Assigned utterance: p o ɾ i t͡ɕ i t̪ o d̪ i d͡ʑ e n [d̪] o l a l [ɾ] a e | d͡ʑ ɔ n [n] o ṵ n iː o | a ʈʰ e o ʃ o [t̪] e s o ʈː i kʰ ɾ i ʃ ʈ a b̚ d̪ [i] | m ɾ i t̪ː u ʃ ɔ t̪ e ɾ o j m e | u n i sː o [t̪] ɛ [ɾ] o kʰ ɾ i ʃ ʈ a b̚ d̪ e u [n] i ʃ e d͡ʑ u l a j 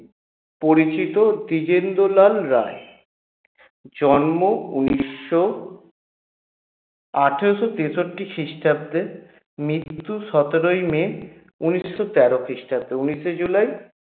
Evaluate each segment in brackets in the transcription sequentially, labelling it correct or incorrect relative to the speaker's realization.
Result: correct, correct, incorrect: m, correct, incorrect: e, correct, correct, correct

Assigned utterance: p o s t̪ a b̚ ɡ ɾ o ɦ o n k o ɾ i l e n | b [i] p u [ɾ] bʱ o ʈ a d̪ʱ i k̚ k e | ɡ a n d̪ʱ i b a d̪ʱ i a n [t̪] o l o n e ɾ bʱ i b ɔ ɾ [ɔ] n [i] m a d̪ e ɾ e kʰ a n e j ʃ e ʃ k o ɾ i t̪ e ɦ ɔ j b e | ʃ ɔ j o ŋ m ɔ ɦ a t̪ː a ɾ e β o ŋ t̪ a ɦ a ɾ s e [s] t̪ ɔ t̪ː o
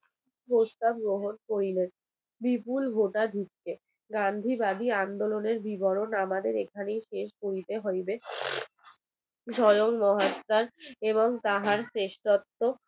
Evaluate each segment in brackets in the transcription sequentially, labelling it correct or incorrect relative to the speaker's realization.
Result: correct, incorrect: l, incorrect: d̪, incorrect: o, incorrect: a, incorrect: ʃ

